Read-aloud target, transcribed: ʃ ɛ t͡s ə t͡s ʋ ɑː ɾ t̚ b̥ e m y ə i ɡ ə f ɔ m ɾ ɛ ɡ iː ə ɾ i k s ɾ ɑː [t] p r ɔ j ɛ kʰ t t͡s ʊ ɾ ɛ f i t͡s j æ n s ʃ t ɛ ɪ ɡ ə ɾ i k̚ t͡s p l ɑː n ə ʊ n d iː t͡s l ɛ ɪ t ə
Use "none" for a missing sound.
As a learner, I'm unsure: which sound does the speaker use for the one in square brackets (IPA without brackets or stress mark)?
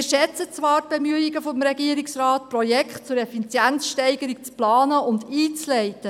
t